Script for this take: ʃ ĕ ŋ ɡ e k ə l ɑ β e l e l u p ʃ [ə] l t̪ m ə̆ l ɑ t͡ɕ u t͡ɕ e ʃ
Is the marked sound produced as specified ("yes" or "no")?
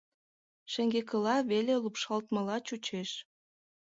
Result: no